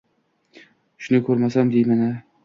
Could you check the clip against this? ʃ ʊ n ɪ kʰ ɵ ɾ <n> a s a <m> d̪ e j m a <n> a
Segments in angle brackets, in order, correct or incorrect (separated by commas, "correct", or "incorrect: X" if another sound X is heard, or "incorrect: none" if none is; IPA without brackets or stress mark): incorrect: m, correct, correct